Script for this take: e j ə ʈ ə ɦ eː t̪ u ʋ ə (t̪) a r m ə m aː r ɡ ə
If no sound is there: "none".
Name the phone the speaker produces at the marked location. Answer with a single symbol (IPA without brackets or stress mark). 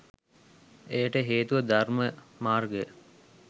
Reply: d̪